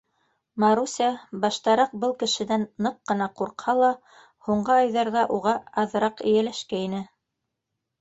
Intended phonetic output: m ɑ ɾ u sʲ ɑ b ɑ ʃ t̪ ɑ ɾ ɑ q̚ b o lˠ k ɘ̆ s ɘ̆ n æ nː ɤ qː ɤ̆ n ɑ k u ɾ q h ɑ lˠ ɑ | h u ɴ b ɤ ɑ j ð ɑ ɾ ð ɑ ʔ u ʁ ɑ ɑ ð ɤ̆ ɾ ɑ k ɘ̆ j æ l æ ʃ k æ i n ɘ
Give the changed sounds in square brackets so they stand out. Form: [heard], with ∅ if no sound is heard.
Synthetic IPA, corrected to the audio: m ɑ ɾ u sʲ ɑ b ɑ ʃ t̪ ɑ ɾ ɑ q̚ b [ɤ] lˠ k ɘ̆ [ʃ] ɘ̆ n æ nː ɤ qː ɤ̆ n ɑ [q] u ɾ q h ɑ lˠ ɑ | h u ɴ [ɢ] ɤ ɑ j ð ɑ ɾ ð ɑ ʔ u ʁ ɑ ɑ ð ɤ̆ ɾ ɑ [q] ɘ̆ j æ l æ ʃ k æ i n ɘ